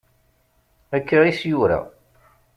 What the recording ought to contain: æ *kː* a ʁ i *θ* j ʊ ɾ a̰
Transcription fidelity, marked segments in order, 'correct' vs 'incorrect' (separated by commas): correct, incorrect